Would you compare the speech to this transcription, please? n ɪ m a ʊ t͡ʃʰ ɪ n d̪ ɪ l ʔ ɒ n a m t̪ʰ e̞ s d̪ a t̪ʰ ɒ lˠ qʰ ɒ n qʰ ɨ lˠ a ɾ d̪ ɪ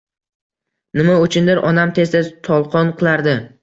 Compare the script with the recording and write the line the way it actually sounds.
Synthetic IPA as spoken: n ɪ m a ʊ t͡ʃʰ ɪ n d̪ ɪ ɾ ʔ ɒ n a m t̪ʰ e̞ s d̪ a t̪ʰ ɒ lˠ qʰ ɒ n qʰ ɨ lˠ a ɾ d̪ ɪ